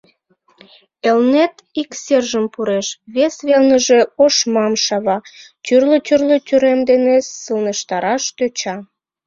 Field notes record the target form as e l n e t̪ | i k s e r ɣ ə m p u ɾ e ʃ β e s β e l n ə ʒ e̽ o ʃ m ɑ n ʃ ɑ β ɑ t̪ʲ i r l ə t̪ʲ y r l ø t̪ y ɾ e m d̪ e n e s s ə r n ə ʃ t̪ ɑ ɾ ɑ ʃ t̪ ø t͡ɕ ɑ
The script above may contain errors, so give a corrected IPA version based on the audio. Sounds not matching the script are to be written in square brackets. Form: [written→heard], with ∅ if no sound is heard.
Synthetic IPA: e l n e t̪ | i k s e r [ɣ→ʒ] ə m p u ɾ e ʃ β e s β e l n ə ʒ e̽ o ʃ m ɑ [n→m] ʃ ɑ β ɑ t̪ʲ [i→y] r l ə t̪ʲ y r l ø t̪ y ɾ e m d̪ e n e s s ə [r→l] n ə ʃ t̪ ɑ ɾ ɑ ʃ t̪ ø t͡ɕ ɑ